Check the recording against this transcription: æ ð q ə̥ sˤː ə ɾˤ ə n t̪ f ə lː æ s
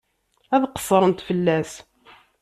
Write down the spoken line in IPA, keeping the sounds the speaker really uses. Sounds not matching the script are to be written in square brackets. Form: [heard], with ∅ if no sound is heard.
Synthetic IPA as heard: æ ð q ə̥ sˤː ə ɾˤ ə n t̪ f ə lː æ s